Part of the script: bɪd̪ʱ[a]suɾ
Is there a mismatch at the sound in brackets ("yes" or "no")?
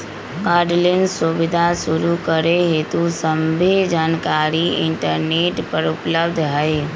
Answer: no